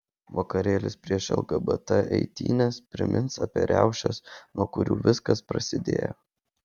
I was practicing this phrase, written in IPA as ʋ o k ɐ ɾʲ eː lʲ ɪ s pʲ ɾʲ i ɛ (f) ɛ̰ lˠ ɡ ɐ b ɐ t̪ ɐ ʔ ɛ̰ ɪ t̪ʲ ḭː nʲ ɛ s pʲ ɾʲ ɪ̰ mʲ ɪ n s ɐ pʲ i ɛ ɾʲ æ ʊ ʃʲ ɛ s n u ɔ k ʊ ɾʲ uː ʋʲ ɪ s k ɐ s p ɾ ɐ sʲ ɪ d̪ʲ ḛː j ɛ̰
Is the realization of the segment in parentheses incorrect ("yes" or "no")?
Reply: yes